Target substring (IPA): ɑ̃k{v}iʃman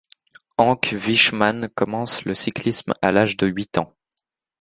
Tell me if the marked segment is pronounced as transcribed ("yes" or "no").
yes